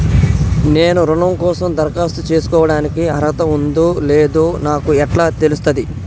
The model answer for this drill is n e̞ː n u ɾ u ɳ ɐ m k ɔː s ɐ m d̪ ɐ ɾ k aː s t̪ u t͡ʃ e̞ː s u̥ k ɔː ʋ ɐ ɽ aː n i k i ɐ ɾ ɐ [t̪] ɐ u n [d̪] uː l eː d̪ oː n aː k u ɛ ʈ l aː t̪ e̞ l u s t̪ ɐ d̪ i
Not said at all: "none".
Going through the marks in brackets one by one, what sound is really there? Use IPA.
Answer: t̪, d̪

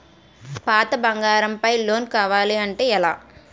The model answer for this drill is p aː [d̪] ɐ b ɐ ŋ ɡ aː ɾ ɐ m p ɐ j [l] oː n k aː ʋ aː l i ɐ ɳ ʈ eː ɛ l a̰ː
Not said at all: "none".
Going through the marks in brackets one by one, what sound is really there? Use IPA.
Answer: t̪, l

